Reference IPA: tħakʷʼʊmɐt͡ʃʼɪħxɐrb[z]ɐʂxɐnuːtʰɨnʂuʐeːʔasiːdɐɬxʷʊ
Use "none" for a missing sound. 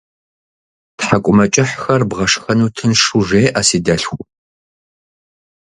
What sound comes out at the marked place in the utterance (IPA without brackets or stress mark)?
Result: ʁ